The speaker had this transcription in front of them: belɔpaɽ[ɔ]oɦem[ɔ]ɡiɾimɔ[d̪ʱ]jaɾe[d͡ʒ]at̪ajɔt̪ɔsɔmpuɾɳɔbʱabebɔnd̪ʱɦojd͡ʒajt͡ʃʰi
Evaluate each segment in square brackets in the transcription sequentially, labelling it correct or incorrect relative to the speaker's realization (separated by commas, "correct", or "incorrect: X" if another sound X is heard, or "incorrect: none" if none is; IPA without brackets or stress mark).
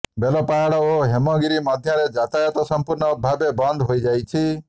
correct, correct, correct, correct